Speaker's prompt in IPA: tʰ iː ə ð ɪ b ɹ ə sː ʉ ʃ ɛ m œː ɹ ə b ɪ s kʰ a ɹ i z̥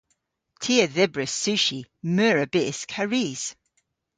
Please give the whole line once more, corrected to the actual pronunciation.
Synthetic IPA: tʰ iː ə ð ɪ b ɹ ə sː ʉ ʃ i m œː ɹ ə b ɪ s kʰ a ɹ i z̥